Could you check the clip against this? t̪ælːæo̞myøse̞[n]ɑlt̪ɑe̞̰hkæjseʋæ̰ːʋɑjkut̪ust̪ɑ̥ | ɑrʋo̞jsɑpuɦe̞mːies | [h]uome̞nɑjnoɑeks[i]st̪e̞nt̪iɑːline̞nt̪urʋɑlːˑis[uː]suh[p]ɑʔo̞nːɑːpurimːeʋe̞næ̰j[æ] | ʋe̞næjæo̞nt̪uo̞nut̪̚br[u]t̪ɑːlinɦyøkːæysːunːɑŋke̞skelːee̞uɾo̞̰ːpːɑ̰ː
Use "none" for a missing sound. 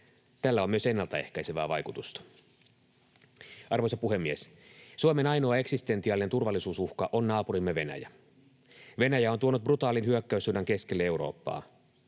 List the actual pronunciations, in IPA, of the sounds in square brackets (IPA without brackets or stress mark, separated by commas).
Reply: nː, s, i, uː, k, æ, u